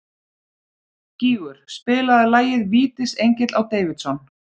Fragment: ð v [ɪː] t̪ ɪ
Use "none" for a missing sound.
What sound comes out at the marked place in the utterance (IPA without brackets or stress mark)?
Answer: iː